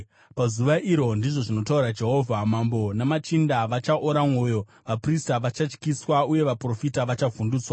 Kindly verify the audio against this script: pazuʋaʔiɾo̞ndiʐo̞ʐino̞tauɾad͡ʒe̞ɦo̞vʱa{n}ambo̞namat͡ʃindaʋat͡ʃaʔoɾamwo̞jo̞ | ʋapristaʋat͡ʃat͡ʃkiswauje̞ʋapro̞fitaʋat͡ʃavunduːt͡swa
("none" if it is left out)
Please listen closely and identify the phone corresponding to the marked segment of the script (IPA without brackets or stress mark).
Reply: m